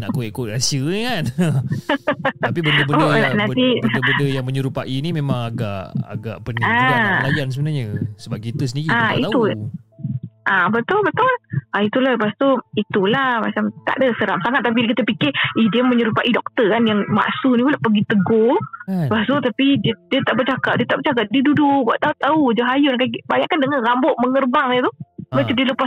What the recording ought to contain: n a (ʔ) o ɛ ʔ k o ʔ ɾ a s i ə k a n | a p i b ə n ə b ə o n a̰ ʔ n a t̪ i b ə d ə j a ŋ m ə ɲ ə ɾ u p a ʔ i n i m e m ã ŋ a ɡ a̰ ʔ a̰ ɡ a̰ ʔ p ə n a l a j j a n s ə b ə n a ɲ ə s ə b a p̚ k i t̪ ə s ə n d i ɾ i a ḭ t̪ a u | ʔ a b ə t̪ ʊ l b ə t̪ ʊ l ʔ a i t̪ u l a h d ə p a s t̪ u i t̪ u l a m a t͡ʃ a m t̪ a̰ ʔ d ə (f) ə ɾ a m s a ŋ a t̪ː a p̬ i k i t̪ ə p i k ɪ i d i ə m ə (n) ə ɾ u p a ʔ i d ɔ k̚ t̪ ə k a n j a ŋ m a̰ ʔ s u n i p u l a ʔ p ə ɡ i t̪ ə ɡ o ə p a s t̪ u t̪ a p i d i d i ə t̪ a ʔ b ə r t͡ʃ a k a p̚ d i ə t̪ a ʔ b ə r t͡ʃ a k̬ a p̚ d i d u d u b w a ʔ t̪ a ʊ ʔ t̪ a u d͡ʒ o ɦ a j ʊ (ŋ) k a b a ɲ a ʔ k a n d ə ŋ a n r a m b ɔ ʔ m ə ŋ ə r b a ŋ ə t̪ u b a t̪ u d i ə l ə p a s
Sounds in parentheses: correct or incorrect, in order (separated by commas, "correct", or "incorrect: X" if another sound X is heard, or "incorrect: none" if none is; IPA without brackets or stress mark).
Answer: incorrect: k, incorrect: s, incorrect: ɲ, incorrect: n